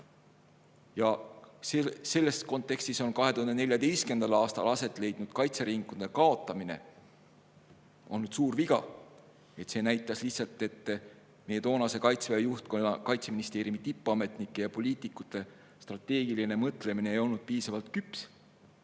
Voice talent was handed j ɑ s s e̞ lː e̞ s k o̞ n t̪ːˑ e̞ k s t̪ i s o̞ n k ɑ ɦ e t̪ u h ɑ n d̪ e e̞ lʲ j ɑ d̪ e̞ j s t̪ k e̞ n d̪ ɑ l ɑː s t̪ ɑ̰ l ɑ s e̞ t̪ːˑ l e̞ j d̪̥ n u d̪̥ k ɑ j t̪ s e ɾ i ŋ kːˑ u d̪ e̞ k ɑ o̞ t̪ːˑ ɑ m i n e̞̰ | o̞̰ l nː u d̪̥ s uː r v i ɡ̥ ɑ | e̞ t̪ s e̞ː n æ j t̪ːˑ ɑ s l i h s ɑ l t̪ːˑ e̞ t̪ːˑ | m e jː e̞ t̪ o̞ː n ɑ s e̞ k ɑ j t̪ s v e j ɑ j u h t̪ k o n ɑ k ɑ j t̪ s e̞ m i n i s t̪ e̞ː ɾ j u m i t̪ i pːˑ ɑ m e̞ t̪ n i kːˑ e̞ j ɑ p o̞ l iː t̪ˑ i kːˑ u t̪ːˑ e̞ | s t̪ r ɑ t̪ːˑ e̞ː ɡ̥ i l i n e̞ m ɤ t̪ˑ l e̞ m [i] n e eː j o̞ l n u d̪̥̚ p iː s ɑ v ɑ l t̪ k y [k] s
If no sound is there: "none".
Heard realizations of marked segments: i, p

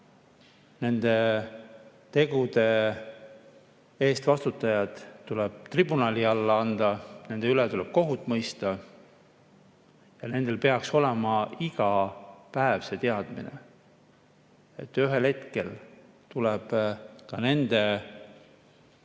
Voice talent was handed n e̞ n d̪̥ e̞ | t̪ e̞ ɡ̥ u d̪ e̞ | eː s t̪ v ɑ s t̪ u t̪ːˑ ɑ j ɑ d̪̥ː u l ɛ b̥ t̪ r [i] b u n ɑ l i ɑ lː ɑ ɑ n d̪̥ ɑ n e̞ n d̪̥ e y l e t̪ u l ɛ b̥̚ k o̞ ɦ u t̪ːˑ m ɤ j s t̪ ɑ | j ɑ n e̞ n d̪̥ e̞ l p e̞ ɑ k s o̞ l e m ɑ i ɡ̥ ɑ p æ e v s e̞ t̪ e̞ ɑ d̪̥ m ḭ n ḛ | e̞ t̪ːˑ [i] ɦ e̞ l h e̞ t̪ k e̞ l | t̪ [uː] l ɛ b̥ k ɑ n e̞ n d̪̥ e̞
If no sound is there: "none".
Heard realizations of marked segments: i, y, u

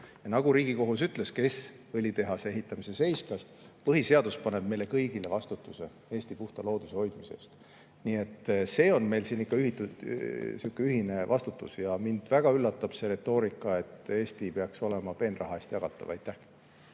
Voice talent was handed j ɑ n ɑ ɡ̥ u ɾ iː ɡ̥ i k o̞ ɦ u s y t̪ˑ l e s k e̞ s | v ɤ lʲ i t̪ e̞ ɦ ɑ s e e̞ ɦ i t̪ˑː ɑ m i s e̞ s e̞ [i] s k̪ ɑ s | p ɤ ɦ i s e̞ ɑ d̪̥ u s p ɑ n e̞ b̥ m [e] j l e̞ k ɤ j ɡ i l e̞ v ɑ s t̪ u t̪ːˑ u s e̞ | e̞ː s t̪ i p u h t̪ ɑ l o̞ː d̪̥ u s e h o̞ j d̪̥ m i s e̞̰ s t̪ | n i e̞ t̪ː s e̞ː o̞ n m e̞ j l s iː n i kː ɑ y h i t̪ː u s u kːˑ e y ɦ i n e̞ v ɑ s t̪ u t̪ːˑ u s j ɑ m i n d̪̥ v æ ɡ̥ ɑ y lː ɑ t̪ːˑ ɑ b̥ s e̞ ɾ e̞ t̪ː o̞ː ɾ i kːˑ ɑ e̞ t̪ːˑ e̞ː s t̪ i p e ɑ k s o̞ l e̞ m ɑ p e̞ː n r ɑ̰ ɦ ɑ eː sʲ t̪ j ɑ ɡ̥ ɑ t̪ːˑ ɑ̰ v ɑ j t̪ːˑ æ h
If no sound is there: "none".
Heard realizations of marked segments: j, e

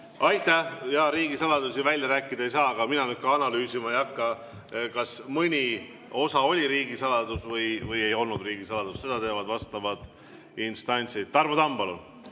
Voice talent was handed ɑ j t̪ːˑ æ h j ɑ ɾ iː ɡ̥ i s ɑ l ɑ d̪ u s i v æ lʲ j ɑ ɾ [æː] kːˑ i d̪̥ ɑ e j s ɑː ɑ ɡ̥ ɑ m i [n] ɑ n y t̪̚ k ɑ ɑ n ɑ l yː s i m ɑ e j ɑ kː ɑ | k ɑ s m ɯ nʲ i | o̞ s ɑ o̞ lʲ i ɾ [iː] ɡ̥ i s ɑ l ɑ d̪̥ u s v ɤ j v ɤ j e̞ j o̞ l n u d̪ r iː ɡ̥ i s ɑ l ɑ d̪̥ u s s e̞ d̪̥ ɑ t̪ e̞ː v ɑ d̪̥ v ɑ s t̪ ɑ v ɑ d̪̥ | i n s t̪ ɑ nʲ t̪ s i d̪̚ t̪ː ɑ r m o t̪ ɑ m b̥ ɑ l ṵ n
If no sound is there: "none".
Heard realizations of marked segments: æː, n, iː

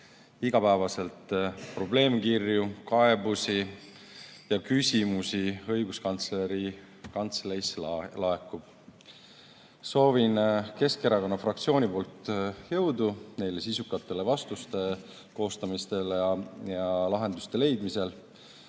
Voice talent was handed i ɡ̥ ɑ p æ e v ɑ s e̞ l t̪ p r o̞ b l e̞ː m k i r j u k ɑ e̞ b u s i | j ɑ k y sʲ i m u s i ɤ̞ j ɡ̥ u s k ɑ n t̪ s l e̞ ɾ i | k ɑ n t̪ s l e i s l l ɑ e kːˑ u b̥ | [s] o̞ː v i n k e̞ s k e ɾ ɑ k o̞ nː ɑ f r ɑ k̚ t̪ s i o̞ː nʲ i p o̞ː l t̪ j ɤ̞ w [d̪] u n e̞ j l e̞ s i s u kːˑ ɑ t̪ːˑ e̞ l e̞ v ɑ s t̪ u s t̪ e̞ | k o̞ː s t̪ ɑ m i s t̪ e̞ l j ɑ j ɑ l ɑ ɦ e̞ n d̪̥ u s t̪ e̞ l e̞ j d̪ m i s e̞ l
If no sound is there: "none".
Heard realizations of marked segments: s, d̪

